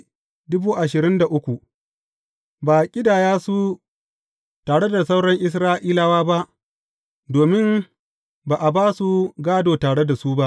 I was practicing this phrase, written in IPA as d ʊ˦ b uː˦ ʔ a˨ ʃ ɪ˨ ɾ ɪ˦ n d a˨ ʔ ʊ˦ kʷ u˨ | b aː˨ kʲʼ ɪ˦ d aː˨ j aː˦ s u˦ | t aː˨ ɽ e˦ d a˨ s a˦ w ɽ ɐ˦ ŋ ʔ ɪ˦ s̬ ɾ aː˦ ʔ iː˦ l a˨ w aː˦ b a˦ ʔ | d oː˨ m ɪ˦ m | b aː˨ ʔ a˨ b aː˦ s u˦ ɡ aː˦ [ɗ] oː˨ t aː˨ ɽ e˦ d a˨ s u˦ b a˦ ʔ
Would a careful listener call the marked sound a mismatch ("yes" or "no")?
yes